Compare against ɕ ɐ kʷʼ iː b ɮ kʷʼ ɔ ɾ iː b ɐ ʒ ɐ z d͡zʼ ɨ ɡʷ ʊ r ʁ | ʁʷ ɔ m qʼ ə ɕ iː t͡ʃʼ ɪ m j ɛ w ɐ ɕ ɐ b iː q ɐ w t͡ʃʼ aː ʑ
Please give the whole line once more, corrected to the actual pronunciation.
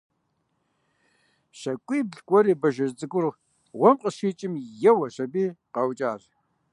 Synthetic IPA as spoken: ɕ ɐ kʷʼ iː b ɮ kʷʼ ɔ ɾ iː b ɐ ʒ ɐ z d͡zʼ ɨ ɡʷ ʊ r ʁ | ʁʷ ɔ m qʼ ə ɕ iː t͡ʃʼ ɪ m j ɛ w ɐ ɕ ɐ b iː q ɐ w t͡ʃʼ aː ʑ

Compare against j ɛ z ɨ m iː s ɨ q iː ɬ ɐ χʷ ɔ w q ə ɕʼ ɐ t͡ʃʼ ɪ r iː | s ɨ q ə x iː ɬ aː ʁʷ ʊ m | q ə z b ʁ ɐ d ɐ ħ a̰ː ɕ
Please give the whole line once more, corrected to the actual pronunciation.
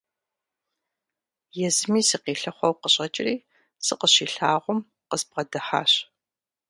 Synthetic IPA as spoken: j ɛ z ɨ m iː s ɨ q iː ɬ ɐ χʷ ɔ w q ə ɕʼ ɐ t͡ʃʼ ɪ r iː | s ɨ q ə ɕ iː ɬ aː ʁʷ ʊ m | q ə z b ʁ ɐ d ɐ ħ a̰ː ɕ

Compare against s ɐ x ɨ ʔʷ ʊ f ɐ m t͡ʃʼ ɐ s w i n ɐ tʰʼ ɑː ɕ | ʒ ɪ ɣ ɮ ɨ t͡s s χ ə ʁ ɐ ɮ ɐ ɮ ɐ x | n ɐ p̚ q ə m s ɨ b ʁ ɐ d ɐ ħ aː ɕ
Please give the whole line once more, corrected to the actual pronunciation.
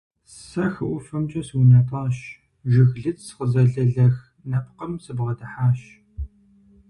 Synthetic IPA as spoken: s ɐ x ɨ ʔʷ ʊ f ɐ m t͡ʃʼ ɐ s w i n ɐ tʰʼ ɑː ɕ | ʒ ɪ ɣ ɮ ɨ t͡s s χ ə z ɐ ɮ ɐ ɮ ɐ x | n ɐ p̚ q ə m s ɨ b ʁ ɐ d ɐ ħ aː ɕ

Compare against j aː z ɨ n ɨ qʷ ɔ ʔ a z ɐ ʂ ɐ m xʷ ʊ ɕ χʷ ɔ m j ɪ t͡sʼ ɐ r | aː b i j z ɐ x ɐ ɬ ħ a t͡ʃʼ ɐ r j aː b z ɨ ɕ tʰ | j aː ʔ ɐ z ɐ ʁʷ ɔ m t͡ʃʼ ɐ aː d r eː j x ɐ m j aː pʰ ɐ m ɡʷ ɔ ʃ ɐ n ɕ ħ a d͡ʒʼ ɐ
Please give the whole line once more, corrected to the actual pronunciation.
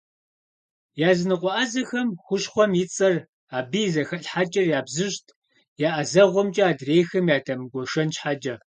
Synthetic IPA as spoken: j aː z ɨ n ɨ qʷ ɔ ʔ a z ɐ x ɐ m xʷ ʊ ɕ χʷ ɔ m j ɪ t͡sʼ ɐ r | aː b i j z ɐ x ɐ ɬ ħ a t͡ʃʼ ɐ r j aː b z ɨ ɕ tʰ | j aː ʔ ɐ z ɐ ʁʷ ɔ m t͡ʃʼ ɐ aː d r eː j x ɐ m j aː tʰ ɐ m ɡʷ ɔ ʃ ɐ n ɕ ħ a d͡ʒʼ ɐ

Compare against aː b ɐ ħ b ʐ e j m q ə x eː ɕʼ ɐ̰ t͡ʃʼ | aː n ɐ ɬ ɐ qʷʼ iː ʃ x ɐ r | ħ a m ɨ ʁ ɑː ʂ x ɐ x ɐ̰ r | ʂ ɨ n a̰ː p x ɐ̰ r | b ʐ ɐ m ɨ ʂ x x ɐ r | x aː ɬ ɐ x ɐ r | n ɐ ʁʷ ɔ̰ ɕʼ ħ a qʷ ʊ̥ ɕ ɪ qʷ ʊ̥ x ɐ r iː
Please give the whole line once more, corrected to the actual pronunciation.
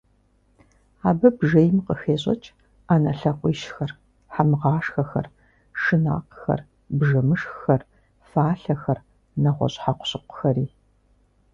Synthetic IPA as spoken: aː b ɐ b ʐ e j m q ə x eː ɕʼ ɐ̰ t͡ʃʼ | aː n ɐ ɬ ɐ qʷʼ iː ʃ x ɐ r | ħ a m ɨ ʁ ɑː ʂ x ɐ x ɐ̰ r | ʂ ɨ n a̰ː q x ɐ̰ r | b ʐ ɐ m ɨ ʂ x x ɐ r | f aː ɬ ɐ x ɐ r | n ɐ ʁʷ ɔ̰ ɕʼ ħ a qʷ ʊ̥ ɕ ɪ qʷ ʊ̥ x ɐ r iː

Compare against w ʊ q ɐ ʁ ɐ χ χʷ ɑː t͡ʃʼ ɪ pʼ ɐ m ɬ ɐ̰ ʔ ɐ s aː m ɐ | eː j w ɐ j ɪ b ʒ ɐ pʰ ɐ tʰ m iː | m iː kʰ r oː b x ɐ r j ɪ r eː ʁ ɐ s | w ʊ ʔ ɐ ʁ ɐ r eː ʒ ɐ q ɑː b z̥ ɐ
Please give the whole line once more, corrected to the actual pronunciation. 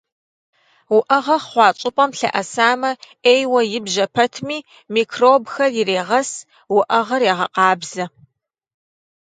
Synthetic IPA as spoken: w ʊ ʔ ɐ ʁ ɐ χ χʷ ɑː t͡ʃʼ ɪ pʼ ɐ m ɬ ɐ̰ ʔ ɐ s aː m ɐ | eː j w ɐ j ɪ b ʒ ɐ pʰ ɐ tʰ m iː | m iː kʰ r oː b x ɐ r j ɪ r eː ʁ ɐ s | w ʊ ʔ ɐ ʁ ɐ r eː ʁ ɐ q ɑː b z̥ ɐ

